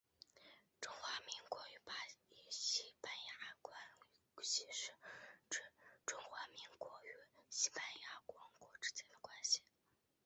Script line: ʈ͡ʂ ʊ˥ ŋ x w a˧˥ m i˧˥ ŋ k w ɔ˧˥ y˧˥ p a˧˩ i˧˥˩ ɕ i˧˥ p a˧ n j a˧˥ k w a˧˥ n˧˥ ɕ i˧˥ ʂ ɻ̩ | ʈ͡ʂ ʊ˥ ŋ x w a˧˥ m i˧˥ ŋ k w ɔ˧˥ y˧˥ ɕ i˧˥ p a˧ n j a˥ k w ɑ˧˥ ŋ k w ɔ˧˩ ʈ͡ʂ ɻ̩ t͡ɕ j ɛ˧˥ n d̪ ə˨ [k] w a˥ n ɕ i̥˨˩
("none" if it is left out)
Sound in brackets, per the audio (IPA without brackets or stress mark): k